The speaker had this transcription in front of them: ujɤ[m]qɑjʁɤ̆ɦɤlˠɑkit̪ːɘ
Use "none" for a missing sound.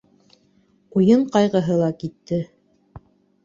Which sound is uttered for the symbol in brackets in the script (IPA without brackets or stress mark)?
ɴ